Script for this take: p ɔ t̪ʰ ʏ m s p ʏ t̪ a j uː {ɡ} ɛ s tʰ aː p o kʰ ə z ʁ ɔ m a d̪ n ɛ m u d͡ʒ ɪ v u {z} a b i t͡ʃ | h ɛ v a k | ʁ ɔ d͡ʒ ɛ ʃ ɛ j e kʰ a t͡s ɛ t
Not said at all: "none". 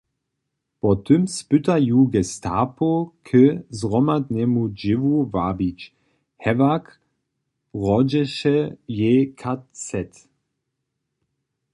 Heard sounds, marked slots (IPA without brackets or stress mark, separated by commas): ɡ, v